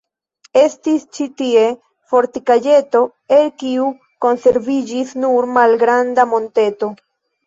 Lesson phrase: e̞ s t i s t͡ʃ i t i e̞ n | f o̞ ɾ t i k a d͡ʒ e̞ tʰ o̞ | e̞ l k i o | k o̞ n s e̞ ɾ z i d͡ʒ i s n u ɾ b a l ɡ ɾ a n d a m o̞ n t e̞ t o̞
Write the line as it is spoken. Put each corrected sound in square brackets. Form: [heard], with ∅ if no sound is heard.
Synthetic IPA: e̞ s t i s t͡ʃ i t i e̞ [∅] | f o̞ ɾ t i k a d͡ʒ e̞ [t] o̞ | e̞ l k i [u] | k o̞ n s e̞ ɾ [v] i d͡ʒ i s n u ɾ [m] a l ɡ ɾ a n d a m o̞ n t e̞ t o̞